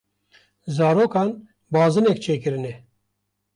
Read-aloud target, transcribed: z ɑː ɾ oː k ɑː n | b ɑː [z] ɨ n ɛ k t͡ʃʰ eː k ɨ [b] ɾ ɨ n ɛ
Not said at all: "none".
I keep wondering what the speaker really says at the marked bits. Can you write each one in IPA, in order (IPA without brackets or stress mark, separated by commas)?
z, none